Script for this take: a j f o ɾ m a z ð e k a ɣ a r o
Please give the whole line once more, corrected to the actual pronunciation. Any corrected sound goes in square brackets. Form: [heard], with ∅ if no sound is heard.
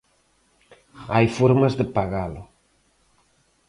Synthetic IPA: a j f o ɾ m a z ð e [p] a ɣ a [l] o